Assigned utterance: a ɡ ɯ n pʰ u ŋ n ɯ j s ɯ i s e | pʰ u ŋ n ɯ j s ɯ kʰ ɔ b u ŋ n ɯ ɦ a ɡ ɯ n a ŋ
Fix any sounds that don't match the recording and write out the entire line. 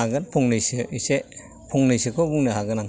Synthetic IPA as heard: a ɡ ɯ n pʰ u ŋ n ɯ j s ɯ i s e | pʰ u ŋ n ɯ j s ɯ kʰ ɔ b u ŋ n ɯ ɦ a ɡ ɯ n a ŋ